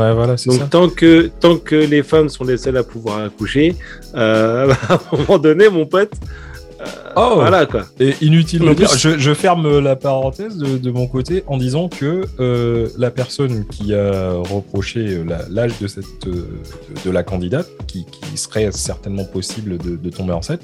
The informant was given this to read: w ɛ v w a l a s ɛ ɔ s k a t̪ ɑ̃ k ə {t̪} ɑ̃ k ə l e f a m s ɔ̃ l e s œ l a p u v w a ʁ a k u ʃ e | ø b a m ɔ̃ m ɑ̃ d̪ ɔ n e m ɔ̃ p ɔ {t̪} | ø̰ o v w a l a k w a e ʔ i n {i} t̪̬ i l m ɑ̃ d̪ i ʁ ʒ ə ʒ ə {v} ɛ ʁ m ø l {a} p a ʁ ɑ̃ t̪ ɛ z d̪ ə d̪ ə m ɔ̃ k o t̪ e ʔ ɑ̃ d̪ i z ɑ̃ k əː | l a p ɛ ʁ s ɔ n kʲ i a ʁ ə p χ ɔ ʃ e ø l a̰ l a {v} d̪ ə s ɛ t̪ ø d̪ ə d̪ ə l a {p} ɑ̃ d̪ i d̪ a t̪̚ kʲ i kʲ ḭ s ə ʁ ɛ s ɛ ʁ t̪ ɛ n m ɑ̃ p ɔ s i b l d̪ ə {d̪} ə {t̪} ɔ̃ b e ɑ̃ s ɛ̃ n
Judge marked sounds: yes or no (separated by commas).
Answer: yes, yes, no, no, yes, no, no, yes, yes